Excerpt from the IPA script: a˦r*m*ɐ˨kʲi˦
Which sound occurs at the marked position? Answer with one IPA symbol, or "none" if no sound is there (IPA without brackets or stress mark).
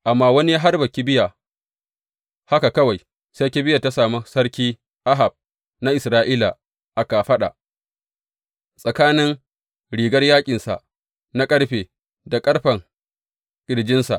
b